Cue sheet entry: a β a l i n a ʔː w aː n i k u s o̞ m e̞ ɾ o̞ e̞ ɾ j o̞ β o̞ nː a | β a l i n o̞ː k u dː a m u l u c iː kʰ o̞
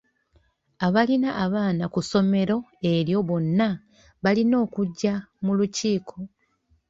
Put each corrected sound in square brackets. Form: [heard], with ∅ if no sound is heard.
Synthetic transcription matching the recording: a β a l i n a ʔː [β] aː n [a] k u s o̞ m e̞ ɾ o̞ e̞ ɾ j o̞ β o̞ nː a | β a l i n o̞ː k u [ɟː] a m u l u c iː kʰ o̞